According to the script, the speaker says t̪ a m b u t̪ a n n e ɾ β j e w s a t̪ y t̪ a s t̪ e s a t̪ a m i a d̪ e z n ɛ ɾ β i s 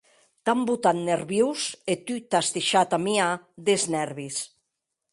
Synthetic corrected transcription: t̪ a m b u t̪ a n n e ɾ β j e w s e t̪ y t̪ a s t̪ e ʃ a t̪ a m i a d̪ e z n ɛ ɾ β i s